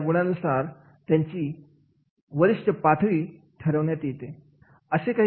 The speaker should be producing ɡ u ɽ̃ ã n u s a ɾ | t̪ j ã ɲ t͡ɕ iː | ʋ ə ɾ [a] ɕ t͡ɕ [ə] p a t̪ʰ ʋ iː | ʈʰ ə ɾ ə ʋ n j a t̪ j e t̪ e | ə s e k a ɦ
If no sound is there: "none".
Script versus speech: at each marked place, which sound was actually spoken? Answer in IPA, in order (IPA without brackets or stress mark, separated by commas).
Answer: i, ə